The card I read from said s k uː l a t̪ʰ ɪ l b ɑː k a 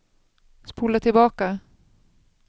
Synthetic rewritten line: s p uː l a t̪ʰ ɪ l b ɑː k a